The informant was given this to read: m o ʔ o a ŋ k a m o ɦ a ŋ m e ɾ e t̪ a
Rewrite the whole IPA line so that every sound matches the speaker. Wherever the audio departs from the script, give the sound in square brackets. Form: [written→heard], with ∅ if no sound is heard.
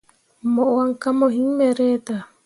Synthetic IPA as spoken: m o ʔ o a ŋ k a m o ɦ [a→i] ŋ m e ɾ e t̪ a